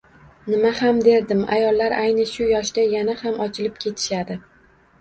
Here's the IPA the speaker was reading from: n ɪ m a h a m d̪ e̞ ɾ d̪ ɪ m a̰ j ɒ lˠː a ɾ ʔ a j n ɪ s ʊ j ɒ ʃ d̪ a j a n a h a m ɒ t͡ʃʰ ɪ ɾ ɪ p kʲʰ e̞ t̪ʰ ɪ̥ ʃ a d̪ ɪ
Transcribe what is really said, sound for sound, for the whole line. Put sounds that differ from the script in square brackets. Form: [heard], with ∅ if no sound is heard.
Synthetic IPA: n ɪ m a h a m d̪ e̞ ɾ d̪ ɪ m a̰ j ɒ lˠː a ɾ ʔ a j n ɪ [ʃ] ʊ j ɒ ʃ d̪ a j a n a h a m ɒ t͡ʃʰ ɪ [l] ɪ p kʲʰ e̞ t̪ʰ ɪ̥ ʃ a d̪ ɪ